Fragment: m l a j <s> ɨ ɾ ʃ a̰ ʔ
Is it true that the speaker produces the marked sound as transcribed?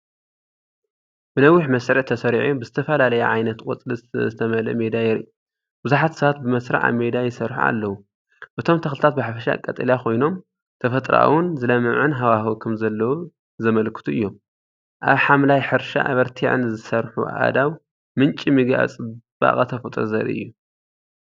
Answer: no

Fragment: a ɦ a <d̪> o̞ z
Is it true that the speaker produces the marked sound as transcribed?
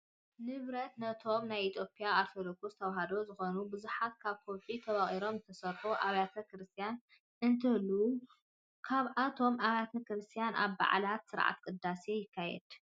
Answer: yes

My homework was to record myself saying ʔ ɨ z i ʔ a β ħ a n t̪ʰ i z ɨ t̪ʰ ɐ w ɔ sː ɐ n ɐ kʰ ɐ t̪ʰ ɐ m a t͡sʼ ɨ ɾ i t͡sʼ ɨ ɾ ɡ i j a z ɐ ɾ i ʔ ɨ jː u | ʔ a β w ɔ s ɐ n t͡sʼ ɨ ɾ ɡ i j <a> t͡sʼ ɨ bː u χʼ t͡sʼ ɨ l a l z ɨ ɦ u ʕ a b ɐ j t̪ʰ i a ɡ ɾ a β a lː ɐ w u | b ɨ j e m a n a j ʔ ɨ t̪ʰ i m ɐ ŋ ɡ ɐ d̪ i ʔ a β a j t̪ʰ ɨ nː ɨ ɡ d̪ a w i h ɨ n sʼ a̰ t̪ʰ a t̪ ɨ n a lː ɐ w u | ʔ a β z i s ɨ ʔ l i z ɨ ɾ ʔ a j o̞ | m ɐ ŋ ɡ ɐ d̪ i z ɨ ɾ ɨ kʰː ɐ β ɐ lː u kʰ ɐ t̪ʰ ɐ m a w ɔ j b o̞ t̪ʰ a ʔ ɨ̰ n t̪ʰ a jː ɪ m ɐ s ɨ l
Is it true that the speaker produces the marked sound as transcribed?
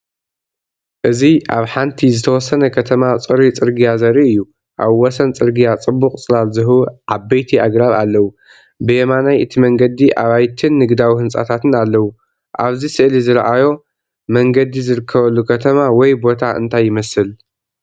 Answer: yes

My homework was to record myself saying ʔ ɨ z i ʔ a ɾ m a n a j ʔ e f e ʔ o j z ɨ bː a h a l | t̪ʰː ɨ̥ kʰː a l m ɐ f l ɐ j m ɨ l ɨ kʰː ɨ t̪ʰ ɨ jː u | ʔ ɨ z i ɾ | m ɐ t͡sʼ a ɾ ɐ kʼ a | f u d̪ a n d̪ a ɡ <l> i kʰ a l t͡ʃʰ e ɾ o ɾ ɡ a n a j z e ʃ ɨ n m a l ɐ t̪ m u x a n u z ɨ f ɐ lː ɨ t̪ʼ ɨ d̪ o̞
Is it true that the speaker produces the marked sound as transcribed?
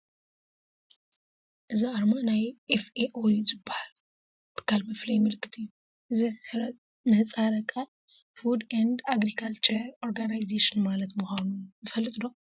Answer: no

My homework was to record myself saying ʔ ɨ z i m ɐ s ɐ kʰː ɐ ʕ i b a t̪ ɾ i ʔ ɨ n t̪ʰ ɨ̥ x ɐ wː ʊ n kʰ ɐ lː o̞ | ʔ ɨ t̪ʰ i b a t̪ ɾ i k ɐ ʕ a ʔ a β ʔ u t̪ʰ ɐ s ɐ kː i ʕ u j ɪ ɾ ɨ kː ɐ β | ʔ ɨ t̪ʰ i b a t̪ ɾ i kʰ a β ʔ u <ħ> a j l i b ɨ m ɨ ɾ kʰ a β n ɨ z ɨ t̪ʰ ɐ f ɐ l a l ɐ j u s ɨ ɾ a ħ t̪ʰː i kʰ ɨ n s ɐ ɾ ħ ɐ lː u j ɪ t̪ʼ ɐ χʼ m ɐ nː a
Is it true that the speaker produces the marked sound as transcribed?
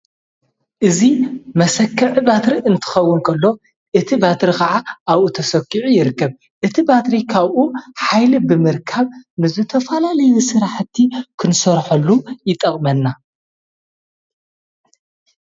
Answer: yes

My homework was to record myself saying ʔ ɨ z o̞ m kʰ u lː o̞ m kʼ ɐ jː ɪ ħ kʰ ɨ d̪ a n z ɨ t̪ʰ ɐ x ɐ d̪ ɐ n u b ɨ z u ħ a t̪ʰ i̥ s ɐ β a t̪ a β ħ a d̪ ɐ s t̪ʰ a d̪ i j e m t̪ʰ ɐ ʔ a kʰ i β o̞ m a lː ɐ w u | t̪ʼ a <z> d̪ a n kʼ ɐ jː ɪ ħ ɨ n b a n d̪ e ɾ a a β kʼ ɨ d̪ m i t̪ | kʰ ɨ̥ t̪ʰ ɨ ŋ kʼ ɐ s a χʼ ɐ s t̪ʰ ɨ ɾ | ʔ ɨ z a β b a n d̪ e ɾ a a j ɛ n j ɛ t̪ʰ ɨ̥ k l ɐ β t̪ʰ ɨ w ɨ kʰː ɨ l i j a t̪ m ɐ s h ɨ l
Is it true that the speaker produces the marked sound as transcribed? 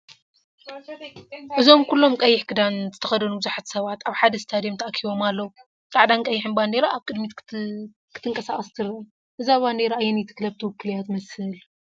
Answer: no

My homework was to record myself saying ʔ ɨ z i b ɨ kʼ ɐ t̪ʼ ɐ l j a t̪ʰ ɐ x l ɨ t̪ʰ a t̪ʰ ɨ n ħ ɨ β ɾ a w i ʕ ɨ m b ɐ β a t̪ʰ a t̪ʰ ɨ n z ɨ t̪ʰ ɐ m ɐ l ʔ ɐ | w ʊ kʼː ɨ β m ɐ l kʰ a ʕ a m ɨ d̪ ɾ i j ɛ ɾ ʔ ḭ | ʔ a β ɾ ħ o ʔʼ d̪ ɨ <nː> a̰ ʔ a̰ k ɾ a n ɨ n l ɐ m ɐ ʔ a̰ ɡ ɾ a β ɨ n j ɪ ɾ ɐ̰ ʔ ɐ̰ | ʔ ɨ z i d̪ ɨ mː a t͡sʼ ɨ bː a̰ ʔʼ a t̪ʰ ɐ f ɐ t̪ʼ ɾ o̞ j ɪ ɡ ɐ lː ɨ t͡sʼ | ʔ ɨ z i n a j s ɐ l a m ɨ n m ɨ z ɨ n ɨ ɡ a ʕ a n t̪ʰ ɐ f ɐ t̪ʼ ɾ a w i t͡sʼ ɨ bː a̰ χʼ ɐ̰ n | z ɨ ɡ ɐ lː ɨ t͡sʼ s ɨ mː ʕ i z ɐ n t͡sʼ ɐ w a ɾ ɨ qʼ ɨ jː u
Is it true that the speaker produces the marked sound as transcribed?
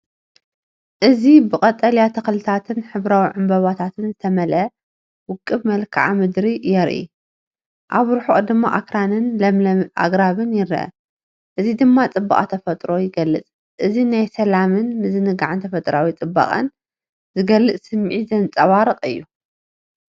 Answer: no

